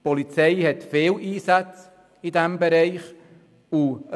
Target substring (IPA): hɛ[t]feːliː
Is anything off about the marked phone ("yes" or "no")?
no